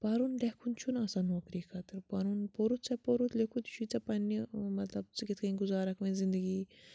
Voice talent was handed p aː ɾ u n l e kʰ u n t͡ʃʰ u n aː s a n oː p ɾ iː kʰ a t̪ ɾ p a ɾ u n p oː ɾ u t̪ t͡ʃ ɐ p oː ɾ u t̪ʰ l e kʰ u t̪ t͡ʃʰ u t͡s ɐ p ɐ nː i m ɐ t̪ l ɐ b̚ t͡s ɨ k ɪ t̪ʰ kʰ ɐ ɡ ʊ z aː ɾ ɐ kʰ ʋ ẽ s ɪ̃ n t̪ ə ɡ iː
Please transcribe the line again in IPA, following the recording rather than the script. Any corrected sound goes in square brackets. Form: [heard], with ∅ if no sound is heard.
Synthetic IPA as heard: p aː ɾ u n l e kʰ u n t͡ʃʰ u n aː s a n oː [k] ɾ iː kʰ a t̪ ɾ p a ɾ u n p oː ɾ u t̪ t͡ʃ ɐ p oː ɾ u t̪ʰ l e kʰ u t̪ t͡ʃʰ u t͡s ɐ p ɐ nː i m ɐ t̪ l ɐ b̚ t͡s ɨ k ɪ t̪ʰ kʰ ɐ ɡ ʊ z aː ɾ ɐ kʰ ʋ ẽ [z] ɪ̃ n [d̪] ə ɡ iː